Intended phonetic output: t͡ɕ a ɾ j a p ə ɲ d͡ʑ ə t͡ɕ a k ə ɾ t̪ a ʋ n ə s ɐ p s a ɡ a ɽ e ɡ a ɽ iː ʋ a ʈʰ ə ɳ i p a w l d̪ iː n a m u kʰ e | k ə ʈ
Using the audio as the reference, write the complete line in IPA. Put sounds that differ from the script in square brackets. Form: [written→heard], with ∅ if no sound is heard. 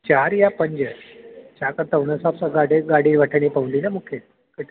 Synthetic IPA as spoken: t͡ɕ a ɾ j a p ə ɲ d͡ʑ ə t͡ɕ a k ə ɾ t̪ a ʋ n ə s [ɐ→a] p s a ɡ a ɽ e ɡ a ɽ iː ʋ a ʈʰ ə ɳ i p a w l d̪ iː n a m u kʰ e | k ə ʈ